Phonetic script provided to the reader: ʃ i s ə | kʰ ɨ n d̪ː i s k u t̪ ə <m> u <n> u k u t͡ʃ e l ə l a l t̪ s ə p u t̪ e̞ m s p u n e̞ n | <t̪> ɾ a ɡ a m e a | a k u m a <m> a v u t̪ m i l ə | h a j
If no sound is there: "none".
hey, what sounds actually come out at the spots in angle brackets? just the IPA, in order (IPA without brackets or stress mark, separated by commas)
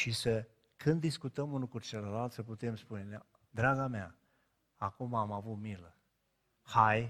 m, n, d̪, m